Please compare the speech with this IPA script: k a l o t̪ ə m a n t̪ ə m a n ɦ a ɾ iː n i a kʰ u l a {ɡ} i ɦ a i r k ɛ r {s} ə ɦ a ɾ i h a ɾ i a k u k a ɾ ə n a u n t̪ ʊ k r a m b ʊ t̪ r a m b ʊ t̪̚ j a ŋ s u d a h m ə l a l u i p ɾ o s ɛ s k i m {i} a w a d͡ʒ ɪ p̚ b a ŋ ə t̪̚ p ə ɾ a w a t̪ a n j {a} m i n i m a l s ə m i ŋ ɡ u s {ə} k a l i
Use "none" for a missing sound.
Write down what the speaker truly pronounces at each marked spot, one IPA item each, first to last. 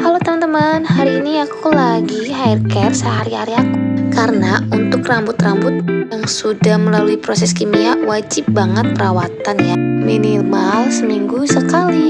ɡ, s, i, a, ə

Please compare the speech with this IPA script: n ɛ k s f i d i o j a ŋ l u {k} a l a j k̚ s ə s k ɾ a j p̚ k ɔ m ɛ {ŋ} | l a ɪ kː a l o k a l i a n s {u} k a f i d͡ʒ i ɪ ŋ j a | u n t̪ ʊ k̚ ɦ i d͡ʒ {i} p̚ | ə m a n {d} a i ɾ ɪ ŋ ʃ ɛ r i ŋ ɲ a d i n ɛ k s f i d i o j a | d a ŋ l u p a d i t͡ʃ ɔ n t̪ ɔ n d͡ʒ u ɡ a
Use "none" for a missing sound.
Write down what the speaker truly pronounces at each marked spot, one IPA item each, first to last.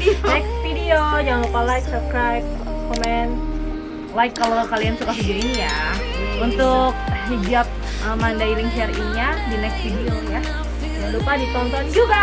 p, n, u, a, d

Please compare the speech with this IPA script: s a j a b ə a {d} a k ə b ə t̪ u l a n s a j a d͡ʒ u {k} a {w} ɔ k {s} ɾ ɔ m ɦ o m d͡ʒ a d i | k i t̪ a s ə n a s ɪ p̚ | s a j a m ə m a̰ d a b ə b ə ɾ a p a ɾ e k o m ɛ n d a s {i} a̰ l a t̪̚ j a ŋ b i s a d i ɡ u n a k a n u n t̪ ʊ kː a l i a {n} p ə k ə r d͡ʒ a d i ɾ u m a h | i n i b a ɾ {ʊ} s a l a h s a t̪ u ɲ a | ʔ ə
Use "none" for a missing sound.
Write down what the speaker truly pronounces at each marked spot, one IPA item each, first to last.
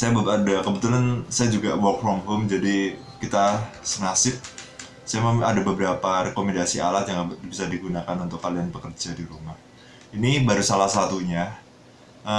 d, ɡ, w, f, i, n, u

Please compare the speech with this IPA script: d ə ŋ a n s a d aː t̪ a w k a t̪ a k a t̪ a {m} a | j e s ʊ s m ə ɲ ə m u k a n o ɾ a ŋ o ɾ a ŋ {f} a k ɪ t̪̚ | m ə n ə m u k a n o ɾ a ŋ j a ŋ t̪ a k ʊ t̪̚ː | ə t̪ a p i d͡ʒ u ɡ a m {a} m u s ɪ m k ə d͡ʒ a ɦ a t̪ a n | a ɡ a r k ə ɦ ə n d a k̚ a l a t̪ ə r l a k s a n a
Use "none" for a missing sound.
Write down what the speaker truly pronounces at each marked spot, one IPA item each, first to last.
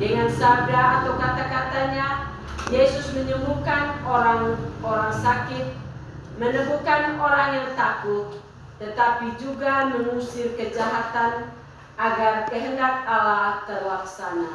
ɲ, s, ə

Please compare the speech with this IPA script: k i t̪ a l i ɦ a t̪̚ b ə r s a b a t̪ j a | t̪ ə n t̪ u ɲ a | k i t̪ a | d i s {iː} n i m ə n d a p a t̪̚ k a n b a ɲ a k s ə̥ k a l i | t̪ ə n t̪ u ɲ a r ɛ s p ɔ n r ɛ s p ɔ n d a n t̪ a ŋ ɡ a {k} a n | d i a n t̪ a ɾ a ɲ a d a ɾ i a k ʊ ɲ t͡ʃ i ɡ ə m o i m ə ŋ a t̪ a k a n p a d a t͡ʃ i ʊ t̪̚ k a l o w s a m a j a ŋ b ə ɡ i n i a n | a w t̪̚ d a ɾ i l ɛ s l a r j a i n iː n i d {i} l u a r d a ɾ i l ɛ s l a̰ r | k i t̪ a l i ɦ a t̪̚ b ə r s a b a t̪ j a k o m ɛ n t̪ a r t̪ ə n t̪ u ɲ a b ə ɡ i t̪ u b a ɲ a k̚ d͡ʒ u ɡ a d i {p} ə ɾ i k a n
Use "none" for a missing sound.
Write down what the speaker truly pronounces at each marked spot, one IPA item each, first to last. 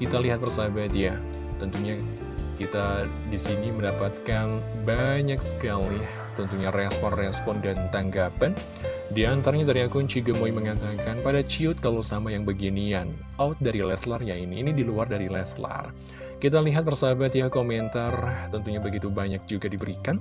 i, p, i, b

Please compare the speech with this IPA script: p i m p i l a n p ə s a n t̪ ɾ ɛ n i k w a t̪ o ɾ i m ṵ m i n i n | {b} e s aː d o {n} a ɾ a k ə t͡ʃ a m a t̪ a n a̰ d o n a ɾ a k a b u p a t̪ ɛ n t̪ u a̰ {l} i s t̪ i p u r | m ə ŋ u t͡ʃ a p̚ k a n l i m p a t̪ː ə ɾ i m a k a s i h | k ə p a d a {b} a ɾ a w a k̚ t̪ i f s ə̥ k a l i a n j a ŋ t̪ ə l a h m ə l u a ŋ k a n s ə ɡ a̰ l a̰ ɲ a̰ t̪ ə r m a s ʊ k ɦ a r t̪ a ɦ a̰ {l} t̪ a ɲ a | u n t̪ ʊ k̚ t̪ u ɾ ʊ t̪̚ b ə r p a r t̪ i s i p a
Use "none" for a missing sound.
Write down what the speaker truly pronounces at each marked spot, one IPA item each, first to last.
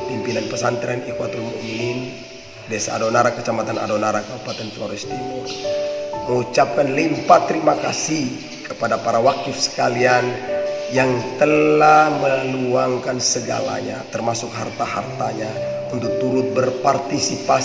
d, n, ɾ, p, r

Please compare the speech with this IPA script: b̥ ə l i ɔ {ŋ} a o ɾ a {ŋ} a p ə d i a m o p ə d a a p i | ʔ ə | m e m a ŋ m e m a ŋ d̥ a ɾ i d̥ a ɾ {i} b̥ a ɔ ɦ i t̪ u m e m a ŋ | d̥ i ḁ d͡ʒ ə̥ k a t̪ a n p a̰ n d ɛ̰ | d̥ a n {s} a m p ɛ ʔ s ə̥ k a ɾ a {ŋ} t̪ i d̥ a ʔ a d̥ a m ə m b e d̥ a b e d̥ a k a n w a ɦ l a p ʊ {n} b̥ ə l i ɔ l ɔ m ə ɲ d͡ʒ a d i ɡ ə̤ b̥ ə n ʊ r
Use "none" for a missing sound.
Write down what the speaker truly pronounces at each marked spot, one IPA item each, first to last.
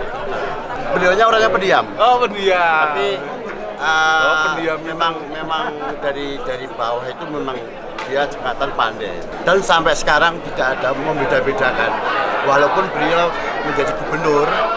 ɲ, ɲ, i, s, ŋ, n

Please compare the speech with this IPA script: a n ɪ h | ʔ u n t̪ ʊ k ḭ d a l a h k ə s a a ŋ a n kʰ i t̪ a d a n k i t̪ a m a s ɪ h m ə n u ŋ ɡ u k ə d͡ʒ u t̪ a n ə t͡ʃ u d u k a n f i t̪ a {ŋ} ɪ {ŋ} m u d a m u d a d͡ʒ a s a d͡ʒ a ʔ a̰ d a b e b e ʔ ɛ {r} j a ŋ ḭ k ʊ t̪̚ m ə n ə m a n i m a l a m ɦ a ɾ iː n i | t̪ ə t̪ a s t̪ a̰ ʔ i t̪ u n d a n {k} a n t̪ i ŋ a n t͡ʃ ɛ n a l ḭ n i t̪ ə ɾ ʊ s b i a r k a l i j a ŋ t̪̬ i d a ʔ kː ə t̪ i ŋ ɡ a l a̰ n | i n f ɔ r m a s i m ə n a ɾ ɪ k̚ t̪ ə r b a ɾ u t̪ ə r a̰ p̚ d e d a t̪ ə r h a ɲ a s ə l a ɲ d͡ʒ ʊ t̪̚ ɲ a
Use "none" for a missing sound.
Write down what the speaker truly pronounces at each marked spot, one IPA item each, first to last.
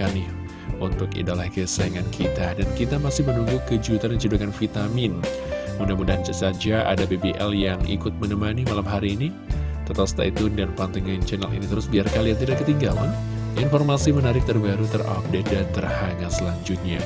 m, n, l, p

